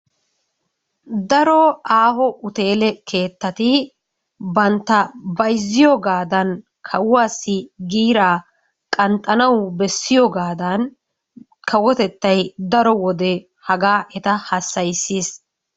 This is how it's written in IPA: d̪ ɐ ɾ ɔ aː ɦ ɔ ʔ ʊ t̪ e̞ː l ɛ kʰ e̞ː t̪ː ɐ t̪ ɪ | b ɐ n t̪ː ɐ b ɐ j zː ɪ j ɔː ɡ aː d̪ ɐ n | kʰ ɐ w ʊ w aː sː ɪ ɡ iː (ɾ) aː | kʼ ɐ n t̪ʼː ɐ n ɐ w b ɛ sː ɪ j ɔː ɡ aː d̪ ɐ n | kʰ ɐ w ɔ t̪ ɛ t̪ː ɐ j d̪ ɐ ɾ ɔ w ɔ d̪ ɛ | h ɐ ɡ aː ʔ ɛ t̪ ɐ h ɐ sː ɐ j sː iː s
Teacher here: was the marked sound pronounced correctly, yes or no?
yes